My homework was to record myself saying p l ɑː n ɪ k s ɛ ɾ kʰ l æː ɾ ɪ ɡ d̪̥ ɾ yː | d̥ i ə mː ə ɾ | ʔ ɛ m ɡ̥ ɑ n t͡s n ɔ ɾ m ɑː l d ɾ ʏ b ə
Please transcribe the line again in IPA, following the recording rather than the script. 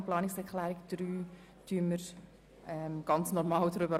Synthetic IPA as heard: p l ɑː n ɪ k s ɛ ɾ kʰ l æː ɾ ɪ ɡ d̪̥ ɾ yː | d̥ y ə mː ə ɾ | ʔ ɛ m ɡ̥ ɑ n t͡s n ɔ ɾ m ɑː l d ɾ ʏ b ə